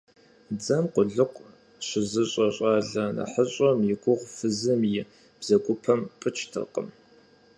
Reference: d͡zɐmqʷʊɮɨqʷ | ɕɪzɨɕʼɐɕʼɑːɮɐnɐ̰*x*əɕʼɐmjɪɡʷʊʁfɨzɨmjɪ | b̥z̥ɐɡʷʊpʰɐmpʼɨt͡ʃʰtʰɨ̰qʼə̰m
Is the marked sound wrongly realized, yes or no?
yes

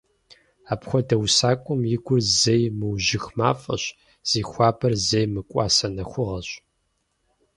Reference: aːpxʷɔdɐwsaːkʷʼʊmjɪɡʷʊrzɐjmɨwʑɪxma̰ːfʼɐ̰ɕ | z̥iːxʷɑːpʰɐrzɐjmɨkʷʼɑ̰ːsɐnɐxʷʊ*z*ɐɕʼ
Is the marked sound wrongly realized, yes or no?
yes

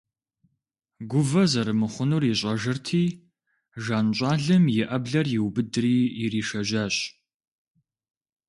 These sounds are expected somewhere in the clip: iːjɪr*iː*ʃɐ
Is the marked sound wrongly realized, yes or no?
no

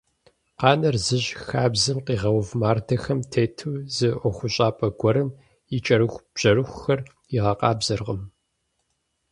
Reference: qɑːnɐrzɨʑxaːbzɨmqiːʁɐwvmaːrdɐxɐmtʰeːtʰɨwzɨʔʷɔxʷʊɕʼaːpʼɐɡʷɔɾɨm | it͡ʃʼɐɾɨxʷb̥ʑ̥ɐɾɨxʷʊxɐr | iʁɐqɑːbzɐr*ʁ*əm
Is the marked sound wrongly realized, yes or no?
no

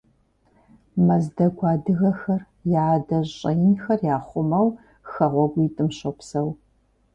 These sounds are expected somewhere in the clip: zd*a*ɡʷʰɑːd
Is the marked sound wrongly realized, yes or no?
yes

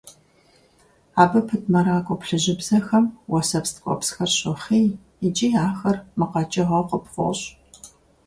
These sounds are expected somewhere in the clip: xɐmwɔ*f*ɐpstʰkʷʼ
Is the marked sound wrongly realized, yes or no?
yes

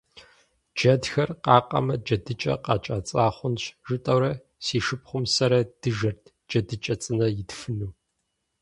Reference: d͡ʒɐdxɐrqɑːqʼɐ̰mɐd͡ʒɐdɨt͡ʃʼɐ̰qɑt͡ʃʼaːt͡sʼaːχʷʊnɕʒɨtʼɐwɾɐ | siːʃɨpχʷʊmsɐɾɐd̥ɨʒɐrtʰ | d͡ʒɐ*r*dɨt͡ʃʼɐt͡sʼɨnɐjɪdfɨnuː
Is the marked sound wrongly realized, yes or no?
yes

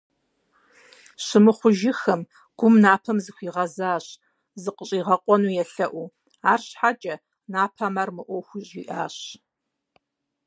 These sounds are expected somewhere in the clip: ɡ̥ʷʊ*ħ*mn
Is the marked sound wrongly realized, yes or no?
yes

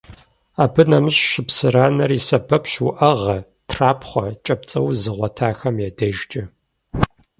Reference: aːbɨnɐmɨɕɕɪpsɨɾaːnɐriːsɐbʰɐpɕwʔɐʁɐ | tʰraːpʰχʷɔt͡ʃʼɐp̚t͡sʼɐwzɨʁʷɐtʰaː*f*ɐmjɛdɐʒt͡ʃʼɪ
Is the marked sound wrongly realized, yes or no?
yes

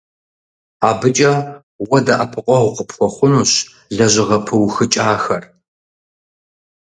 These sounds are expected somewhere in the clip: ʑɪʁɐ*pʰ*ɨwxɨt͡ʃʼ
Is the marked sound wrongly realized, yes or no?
no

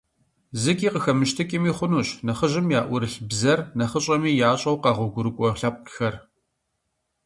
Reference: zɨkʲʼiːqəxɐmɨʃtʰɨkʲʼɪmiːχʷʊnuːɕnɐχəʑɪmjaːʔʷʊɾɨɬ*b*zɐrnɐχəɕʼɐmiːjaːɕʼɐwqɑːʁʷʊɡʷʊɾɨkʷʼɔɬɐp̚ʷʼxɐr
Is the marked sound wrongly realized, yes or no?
no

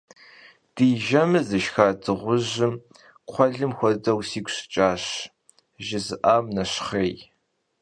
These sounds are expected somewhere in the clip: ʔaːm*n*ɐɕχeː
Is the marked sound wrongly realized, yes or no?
no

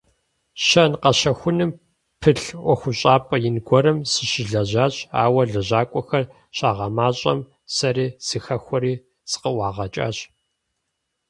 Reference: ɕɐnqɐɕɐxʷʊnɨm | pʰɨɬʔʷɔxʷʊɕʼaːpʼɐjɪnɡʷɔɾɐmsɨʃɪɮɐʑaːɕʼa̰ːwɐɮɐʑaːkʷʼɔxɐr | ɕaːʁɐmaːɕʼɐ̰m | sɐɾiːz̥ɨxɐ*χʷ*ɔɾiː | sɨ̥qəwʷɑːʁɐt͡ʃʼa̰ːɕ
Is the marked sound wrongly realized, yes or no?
yes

